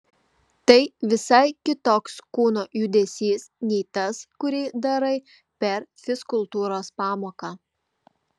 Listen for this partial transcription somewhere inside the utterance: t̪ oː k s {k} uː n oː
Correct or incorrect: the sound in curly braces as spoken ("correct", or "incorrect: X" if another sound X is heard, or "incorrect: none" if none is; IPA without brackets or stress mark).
correct